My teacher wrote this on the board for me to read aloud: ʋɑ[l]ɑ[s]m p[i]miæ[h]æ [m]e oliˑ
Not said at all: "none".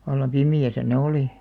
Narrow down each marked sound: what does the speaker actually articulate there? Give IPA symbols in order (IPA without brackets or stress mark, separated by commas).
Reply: lː, none, i, s, n